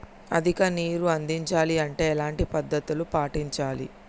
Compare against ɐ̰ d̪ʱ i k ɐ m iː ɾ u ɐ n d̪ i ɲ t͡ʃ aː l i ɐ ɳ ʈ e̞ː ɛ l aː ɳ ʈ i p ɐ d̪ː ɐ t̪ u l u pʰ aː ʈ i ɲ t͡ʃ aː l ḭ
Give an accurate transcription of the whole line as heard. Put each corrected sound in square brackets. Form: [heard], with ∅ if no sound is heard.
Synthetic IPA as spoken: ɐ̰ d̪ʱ i k ɐ [n] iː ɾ u ɐ n d̪ i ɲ t͡ʃ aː l i ɐ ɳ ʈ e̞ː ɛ l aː ɳ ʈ i p ɐ d̪ː ɐ t̪ u l u [p] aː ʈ i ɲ t͡ʃ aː l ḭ